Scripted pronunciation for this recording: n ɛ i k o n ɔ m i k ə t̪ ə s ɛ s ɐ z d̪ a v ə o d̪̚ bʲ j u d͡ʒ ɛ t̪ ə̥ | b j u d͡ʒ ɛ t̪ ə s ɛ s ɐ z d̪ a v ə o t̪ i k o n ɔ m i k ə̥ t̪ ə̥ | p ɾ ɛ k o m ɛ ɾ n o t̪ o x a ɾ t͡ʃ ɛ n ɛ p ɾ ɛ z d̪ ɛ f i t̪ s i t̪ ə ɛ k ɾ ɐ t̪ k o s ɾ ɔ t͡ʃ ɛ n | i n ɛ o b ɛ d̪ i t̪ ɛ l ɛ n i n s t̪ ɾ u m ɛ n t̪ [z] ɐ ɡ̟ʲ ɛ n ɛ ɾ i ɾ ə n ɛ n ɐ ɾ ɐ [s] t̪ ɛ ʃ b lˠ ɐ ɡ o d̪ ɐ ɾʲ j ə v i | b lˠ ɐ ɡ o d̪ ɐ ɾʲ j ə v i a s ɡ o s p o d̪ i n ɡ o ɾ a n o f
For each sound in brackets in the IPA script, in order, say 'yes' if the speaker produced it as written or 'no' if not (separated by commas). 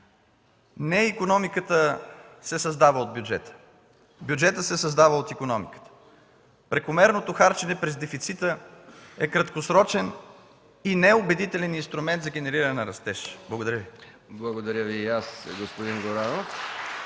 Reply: yes, yes